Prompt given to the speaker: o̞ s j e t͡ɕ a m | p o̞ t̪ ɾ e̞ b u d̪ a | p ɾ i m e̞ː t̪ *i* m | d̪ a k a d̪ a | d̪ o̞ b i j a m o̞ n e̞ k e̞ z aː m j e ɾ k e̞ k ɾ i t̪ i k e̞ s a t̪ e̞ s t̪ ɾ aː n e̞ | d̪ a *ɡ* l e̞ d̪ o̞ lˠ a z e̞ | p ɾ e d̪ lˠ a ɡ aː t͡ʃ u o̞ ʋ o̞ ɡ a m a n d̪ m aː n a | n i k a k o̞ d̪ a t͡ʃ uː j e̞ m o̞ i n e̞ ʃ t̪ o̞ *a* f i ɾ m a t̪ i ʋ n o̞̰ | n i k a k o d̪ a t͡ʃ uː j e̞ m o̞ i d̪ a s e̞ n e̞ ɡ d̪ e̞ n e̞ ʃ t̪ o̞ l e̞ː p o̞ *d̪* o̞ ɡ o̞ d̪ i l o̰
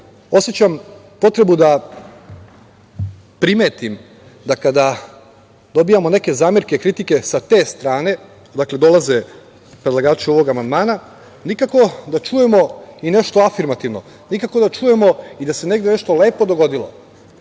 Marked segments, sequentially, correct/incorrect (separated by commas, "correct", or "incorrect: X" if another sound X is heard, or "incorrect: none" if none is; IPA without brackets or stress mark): correct, incorrect: k, correct, correct